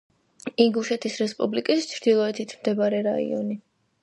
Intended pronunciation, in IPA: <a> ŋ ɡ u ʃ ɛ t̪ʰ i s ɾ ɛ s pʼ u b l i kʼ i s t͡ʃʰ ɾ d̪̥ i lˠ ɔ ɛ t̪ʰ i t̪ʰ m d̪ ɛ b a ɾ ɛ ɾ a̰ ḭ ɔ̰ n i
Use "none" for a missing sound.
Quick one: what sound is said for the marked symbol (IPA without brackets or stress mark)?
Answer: i